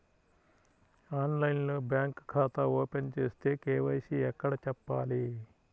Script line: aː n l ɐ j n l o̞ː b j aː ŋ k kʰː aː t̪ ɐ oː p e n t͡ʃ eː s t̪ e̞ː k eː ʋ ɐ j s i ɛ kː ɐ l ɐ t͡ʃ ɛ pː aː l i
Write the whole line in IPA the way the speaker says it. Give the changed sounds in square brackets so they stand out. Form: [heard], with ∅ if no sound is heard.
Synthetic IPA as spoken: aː n l ɐ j n l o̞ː b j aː ŋ k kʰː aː t̪ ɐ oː p e n t͡ʃ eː s t̪ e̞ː k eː ʋ ɐ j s i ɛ kː ɐ [ɽ] ɐ t͡ʃ ɛ pː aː l i